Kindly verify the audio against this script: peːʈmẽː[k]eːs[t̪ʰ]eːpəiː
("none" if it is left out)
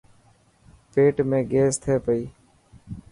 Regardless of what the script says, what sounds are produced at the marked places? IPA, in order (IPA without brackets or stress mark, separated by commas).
ɡ, t̪ʰ